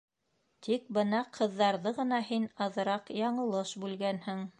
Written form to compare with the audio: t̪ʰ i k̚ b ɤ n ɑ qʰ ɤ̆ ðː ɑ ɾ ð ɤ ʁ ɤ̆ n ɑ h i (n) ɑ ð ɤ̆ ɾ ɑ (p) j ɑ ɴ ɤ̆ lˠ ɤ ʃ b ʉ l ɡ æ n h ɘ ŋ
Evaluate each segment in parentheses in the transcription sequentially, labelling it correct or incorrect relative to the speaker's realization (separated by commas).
correct, incorrect